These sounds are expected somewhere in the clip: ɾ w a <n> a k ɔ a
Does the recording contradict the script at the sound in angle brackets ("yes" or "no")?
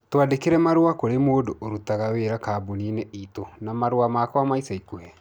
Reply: yes